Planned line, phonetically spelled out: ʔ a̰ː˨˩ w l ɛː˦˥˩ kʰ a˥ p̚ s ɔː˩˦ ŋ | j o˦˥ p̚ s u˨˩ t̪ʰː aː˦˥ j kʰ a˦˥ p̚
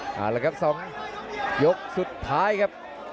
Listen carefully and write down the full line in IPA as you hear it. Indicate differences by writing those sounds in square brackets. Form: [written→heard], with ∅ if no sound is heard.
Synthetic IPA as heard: ʔ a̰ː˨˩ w l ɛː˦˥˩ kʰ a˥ p̚ s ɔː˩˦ ŋ | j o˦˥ [p̚→k̚] s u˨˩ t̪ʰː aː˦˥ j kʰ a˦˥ p̚